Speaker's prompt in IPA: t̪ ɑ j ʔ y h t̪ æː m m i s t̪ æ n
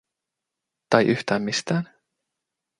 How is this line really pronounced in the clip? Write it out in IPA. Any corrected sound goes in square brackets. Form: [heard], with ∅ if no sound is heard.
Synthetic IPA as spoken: t̪ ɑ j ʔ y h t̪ æː m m i s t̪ [æː] n